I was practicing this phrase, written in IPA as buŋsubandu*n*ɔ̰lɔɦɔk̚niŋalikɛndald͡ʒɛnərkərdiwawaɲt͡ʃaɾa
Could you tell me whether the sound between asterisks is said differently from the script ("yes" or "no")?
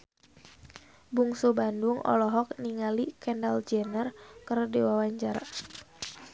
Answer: yes